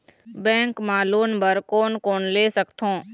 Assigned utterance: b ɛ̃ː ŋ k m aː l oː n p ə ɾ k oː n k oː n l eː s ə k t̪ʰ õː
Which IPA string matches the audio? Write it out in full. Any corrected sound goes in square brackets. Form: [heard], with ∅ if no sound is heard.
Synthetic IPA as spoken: b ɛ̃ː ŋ k m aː l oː n [b] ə ɾ k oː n k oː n l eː s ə k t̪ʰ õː

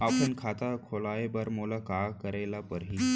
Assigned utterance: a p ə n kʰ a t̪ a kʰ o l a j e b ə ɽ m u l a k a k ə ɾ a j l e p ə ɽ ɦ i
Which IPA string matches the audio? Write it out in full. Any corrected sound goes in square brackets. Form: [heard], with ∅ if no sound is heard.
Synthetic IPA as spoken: a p ə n kʰ a t̪ a kʰ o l a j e b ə [ɾ] m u l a k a k ə ɾ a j l [a] p ə [ɾ] ɦ i

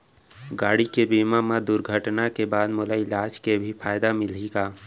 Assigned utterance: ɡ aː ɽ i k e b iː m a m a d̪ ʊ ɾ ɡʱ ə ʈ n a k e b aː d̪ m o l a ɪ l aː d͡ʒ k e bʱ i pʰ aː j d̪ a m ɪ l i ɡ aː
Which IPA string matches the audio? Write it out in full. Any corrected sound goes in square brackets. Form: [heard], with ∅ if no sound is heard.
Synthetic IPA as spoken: ɡ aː ɽ i k e b iː m a m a d̪ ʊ ɾ ɡʱ ə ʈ n a k e b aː d̪ m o l a ɪ l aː d͡ʒ k e bʱ i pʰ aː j d̪ a m ɪ l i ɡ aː

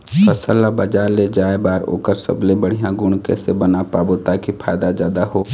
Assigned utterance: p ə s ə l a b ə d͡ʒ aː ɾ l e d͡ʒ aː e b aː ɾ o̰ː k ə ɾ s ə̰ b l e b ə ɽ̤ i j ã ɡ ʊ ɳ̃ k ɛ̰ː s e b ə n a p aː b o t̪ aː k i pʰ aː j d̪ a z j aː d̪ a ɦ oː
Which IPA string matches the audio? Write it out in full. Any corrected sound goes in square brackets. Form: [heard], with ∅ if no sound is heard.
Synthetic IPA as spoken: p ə s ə l a b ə d͡ʒ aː ɾ l e d͡ʒ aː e b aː ɾ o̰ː k ə ɾ s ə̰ b l e b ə ɽ̤ i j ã ɡ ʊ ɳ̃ k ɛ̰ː s e b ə n a p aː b o t̪ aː k i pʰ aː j d̪ a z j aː d̪ a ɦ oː

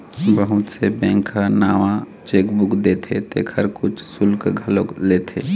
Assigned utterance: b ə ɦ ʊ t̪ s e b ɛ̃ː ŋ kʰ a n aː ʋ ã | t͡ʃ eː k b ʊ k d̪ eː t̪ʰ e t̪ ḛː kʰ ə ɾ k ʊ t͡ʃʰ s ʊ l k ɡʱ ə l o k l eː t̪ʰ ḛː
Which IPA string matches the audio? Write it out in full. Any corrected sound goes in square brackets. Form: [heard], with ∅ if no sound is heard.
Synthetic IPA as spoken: b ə ɦ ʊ t̪ s e b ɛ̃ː ŋ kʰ a n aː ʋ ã | t͡ʃ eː k b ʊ k d̪ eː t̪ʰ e t̪ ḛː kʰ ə ɾ k ʊ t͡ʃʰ s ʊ l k ɡʱ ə l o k l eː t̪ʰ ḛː

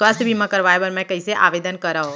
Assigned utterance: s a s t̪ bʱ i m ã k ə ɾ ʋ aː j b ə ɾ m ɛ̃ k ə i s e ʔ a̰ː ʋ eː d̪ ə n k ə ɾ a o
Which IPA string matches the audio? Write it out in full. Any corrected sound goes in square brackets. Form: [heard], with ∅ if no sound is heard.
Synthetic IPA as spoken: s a s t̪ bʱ i m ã k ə ɾ ʋ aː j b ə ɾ m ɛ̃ k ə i s e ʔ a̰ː ʋ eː d̪ ə n k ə ɾ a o

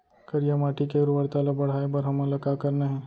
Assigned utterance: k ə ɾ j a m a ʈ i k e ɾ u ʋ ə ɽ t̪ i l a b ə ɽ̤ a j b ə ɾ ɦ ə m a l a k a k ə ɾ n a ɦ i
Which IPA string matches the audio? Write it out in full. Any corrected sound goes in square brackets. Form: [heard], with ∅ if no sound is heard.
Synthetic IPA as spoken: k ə ɾ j a m a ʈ i k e ɾ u ʋ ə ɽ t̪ [a] l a b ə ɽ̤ a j b ə ɾ ɦ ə m a l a k a k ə ɾ n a ɦ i

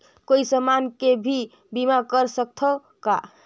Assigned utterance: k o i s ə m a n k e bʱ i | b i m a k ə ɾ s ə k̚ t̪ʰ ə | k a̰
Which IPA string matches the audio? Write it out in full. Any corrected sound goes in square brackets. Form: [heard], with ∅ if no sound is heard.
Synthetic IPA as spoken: k o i s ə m a n k e bʱ i | b i m a k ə ɾ s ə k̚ t̪ʰ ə | k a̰

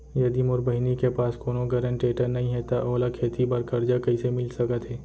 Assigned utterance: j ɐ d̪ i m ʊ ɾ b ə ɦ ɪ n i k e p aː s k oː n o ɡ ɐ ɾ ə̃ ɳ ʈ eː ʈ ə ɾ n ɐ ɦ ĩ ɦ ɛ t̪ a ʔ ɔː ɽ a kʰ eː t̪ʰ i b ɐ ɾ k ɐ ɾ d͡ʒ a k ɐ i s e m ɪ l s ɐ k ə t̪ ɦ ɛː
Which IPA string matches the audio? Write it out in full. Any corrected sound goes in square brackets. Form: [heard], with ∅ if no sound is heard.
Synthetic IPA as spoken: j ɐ d̪ i m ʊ ɾ b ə ɦ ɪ n i k e p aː s k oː n o ɡ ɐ ɾ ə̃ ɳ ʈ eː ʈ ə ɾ n ɐ ɦ ĩ ɦ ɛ t̪ a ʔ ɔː [l] a kʰ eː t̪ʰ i b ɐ ɾ k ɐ ɾ d͡ʒ a k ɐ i s e m ɪ l s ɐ k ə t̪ ɦ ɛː

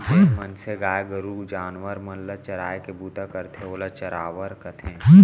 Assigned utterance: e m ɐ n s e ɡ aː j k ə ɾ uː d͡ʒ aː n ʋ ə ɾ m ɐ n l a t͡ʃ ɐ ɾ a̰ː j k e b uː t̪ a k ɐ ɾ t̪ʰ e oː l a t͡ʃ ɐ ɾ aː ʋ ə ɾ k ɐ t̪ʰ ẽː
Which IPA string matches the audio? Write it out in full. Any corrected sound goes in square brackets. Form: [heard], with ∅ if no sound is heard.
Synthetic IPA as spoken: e m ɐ n s e ɡ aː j [ɡ] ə ɾ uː d͡ʒ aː n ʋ ə ɾ m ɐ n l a t͡ʃ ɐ ɾ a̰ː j k e b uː t̪ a k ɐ ɾ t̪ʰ e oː l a t͡ʃ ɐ ɾ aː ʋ ə ɾ k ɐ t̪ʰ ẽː

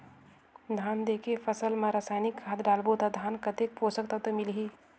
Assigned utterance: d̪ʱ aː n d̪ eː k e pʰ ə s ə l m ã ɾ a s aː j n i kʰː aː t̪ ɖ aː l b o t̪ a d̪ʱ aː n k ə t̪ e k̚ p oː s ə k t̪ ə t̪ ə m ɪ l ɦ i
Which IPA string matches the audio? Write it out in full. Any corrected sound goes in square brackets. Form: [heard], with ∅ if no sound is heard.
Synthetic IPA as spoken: d̪ʱ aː n d̪ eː k e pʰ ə s ə l m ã ɾ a s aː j n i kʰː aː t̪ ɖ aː l b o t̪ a d̪ʱ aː n k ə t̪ e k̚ p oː s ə k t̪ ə t̪ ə m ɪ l ɦ i

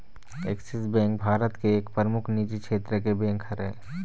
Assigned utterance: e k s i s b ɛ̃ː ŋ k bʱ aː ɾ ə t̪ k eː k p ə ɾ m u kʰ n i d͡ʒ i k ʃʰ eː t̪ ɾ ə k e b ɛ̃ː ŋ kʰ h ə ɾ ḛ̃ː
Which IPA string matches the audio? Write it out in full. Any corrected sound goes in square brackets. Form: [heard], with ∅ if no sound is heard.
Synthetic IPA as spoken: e k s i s b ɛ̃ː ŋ k bʱ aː ɾ ə t̪ k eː k p ə ɾ m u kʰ n i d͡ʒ i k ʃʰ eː t̪ ɾ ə k e b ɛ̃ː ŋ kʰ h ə ɾ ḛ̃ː

